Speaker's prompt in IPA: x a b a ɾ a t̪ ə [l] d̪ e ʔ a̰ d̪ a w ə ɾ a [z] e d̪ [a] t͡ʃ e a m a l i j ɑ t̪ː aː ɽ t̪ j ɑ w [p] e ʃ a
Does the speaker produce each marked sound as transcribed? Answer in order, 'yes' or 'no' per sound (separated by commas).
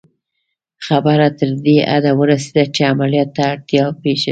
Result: no, no, yes, yes